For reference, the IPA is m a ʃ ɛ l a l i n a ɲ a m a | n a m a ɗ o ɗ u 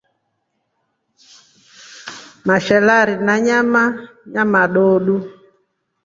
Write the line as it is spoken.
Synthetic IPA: m a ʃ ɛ l a ɾ i n a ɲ a m a | ɲ a m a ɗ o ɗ u